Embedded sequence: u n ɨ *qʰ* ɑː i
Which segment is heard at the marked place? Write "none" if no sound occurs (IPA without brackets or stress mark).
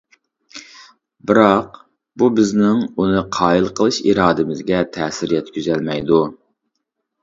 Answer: qʰ